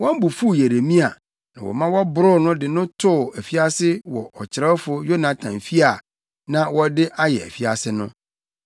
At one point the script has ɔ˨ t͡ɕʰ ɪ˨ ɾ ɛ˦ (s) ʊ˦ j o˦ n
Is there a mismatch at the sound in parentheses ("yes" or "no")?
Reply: yes